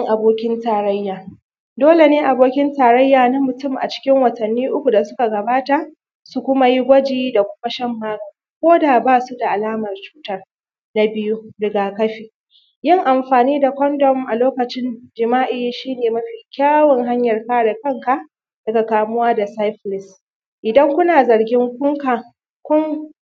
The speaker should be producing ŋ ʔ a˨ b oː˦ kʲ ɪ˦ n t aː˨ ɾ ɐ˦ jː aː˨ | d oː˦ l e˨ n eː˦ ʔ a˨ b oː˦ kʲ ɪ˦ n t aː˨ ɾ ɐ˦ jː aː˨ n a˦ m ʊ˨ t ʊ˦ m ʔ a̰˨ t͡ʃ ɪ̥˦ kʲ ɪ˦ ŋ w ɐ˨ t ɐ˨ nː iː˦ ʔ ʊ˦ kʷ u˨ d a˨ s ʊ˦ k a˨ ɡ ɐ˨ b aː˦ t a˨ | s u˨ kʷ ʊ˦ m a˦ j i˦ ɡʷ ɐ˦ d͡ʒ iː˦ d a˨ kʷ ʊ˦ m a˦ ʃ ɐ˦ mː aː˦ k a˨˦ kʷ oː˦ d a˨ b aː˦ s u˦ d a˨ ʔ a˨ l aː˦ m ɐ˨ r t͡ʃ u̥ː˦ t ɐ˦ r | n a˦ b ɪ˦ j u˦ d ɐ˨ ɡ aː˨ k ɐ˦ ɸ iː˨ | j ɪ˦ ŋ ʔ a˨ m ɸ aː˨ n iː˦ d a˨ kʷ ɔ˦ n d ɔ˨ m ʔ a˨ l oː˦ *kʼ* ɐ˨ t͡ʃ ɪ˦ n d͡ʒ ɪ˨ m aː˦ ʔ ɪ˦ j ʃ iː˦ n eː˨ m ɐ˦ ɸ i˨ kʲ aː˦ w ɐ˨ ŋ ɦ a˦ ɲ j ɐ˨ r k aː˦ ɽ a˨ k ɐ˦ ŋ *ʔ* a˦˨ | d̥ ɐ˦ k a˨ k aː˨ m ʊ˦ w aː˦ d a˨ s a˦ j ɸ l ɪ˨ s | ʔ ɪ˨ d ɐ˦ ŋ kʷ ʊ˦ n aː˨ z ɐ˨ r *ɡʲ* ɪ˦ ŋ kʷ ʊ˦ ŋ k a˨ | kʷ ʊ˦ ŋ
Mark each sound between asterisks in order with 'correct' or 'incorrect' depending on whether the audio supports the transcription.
incorrect: k, incorrect: k, correct

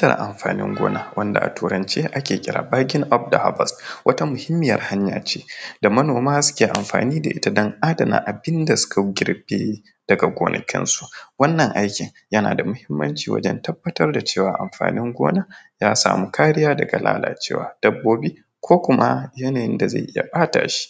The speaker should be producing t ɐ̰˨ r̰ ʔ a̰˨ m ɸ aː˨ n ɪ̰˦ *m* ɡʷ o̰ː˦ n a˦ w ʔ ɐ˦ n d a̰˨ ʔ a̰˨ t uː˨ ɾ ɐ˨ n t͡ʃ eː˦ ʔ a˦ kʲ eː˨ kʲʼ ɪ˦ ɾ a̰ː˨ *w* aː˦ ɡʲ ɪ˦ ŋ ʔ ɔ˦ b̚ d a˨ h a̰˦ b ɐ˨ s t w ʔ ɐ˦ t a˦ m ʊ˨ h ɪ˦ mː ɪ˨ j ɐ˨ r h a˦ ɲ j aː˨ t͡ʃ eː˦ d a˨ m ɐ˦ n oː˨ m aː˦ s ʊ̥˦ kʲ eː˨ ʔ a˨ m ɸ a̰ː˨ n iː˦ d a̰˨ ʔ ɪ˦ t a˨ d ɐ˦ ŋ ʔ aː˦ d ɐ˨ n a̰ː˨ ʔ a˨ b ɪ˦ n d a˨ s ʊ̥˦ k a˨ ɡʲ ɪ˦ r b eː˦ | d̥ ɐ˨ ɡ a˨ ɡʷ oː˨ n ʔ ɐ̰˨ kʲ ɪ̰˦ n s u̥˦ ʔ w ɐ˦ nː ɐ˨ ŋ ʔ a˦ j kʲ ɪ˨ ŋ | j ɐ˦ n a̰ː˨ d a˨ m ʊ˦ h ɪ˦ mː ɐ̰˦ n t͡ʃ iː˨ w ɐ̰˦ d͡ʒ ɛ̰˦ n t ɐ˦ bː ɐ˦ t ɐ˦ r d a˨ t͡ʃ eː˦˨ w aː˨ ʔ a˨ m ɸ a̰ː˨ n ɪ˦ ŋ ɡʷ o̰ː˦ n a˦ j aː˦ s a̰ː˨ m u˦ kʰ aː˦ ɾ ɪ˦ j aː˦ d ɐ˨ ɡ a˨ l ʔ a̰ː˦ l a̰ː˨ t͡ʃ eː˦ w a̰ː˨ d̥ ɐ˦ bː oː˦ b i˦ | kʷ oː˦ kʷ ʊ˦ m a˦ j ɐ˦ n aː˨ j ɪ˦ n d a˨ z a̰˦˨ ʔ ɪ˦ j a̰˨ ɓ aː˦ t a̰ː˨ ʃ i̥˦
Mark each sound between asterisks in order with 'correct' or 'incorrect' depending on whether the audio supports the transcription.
incorrect: ŋ, incorrect: b

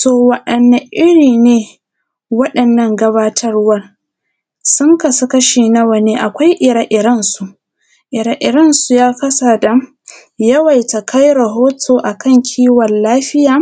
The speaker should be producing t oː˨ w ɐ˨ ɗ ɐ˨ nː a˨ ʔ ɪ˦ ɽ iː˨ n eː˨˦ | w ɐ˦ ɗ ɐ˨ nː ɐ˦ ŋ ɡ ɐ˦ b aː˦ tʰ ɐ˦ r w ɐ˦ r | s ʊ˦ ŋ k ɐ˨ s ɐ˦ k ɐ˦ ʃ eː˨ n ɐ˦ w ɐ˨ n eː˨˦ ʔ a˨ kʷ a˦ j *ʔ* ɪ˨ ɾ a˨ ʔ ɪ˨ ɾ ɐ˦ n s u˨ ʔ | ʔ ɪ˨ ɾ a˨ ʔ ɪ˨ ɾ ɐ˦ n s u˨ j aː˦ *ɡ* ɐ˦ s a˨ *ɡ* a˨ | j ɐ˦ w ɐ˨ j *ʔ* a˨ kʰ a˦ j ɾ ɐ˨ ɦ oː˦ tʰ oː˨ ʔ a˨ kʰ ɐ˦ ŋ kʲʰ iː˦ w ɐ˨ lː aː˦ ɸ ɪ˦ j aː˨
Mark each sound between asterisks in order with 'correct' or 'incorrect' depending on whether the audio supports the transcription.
correct, incorrect: k, incorrect: d, incorrect: t

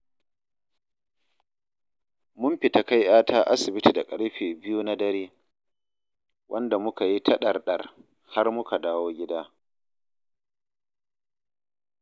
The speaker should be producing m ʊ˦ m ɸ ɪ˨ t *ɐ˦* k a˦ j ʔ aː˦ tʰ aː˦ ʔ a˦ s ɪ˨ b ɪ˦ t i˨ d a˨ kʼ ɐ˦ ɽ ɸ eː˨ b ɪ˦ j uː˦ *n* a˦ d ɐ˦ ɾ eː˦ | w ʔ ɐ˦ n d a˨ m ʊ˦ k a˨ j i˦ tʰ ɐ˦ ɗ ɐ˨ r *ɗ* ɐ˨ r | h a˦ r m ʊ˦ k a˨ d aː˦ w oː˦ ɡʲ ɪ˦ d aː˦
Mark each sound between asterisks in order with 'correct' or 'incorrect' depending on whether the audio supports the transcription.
incorrect: a˦, correct, correct

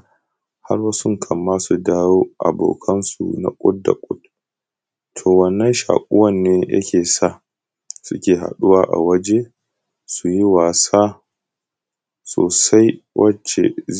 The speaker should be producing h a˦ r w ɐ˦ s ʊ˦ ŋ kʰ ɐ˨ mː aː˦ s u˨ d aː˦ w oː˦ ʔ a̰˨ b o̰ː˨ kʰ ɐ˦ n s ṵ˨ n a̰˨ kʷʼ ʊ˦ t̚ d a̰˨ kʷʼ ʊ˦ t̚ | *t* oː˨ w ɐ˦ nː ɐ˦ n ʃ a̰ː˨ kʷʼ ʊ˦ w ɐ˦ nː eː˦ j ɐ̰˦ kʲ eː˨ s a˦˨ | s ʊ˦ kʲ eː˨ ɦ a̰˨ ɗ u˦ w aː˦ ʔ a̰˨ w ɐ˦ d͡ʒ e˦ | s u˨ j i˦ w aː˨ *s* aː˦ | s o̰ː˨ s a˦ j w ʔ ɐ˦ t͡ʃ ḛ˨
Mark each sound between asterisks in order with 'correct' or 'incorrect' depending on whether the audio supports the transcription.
incorrect: tʰ, correct

